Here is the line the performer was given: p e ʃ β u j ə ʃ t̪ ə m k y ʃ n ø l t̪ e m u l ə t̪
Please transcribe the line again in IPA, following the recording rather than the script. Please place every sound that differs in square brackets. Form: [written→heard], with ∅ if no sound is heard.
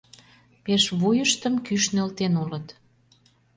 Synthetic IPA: p e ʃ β u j ə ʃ t̪ ə m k y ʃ n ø l t̪ e [m→n] u l ə t̪